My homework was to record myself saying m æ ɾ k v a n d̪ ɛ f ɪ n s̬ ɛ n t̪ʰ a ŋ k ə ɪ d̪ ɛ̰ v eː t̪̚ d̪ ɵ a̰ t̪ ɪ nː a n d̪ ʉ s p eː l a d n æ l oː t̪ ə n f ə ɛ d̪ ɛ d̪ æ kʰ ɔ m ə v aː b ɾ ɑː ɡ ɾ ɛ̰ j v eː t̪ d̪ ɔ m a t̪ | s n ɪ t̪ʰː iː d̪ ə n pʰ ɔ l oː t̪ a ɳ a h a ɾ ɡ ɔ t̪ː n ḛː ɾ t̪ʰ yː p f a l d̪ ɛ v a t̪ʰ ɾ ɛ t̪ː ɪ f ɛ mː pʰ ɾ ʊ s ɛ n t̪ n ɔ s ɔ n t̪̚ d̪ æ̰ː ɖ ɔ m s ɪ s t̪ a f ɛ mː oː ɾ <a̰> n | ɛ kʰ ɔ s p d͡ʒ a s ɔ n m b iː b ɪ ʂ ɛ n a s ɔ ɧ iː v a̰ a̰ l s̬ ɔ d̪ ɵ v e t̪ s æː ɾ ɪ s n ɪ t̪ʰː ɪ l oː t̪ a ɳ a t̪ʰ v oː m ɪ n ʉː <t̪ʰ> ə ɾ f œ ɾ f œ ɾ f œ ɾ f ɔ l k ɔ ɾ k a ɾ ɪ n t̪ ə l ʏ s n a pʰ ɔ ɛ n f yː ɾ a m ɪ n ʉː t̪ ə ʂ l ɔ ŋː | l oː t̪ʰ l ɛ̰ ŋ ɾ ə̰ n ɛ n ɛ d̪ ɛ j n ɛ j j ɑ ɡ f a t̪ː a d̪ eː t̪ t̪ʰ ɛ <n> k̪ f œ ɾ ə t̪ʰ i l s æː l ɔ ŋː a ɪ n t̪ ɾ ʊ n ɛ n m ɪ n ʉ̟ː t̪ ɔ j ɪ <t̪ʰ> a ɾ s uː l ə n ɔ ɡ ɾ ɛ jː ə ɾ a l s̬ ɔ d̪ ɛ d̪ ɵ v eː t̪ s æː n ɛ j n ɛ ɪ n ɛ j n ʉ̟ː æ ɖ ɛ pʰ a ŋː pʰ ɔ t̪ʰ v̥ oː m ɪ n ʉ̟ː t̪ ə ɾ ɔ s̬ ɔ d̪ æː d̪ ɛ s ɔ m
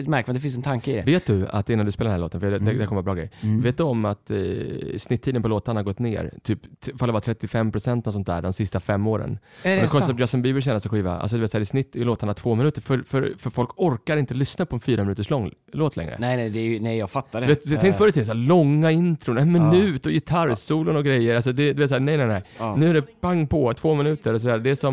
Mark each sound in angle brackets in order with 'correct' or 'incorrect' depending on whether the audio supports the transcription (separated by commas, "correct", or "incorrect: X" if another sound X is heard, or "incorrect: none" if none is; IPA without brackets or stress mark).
incorrect: ə̰, incorrect: t̪, incorrect: ŋ, correct